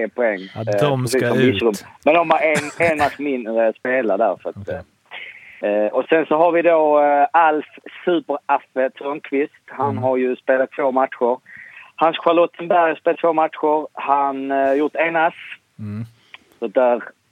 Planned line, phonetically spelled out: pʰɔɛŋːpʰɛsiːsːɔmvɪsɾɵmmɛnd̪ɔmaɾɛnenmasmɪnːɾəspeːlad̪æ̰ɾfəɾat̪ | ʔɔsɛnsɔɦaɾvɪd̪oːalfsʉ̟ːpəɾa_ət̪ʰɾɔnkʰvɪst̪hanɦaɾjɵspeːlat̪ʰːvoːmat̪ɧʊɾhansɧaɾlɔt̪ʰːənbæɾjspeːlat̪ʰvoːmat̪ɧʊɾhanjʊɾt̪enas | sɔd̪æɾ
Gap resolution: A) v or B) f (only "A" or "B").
B